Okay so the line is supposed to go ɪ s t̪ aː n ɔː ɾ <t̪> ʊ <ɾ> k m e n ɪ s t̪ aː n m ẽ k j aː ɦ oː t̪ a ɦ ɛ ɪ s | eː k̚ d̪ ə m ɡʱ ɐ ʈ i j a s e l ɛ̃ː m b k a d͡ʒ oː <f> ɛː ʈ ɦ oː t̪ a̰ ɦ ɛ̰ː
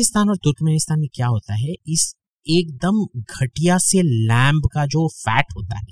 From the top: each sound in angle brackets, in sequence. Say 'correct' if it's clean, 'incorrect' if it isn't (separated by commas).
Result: correct, correct, correct